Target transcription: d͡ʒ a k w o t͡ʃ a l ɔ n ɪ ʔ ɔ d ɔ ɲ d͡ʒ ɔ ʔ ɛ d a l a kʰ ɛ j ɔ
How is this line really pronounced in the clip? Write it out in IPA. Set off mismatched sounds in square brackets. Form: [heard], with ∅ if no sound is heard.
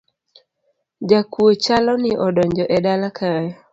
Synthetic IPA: d͡ʒ a k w o t͡ʃ a l ɔ n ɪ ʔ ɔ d ɔ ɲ d͡ʒ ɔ ʔ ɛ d a l a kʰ [a] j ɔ

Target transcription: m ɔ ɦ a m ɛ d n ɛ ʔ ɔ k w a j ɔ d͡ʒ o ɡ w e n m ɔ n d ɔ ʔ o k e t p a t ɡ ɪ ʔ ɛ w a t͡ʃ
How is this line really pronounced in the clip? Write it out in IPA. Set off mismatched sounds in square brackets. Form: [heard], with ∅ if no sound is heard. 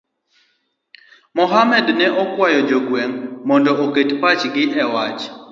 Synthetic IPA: m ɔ ɦ a m ɛ d n ɛ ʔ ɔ k w a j ɔ d͡ʒ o ɡ w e [ŋ] m ɔ n d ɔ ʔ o k e t p a [t͡ʃ] ɡ ɪ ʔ ɛ w a t͡ʃ

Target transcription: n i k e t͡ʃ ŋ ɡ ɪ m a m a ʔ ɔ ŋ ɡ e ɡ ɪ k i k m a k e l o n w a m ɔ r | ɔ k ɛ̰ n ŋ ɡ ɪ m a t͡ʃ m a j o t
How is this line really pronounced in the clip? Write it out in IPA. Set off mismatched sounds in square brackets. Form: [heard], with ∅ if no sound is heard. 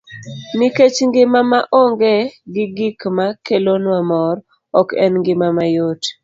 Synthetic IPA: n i k e t͡ʃ ŋ ɡ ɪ m a m a ʔ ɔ ŋ ɡ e ɡ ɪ [ɡ] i k m a k e l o n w a m ɔ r | ɔ k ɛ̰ n ŋ ɡ ɪ m a [∅] m a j o t

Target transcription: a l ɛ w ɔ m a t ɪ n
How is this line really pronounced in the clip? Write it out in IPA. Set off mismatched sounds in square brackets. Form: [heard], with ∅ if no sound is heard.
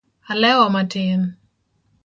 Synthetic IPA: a l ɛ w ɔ m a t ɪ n

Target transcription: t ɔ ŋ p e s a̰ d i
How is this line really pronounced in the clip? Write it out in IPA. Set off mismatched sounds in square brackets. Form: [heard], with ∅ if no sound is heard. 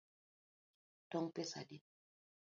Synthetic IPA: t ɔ ŋ p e s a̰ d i

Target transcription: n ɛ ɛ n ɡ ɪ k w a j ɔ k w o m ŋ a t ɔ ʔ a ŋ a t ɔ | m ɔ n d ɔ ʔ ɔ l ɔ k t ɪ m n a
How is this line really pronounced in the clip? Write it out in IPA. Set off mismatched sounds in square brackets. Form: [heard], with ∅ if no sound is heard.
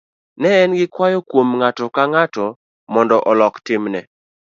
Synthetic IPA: n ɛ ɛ n ɡ ɪ k w a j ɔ k w o m ŋ a t ɔ [k] a ŋ a t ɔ | m ɔ n d ɔ ʔ ɔ l ɔ k t ɪ m n [ɛ]

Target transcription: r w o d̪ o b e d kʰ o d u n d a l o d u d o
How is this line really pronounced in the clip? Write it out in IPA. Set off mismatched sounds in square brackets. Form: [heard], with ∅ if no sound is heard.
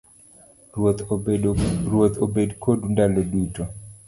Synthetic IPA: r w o [t̪] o b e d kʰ o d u n d a l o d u [t] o

